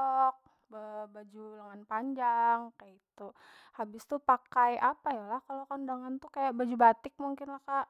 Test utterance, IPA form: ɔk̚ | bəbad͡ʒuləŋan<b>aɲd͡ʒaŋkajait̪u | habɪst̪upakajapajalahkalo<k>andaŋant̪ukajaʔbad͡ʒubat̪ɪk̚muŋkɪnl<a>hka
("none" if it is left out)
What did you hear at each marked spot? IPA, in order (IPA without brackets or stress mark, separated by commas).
p, k, a